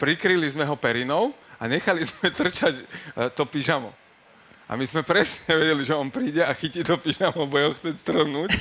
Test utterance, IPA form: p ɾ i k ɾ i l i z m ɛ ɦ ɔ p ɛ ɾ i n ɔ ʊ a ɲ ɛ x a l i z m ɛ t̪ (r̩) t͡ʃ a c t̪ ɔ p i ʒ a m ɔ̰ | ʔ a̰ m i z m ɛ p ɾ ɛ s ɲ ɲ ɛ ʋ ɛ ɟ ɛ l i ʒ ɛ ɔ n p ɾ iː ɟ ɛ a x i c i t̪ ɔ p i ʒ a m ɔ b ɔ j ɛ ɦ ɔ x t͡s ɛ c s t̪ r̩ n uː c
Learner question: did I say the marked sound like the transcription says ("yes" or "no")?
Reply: yes